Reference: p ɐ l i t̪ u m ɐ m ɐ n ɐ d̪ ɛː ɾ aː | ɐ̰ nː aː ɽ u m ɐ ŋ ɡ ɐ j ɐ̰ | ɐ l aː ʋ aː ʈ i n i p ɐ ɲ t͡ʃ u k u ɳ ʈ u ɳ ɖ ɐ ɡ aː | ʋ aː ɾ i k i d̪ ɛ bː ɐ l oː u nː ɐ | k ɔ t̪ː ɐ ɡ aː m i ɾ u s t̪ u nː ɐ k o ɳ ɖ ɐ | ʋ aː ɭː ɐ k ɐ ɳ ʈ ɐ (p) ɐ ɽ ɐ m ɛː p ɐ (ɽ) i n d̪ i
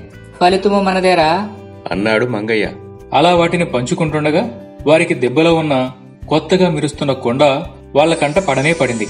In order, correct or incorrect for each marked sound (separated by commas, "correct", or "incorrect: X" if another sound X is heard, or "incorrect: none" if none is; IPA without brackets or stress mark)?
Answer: correct, correct